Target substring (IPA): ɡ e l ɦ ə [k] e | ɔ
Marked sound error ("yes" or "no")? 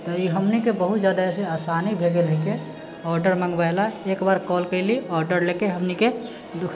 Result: no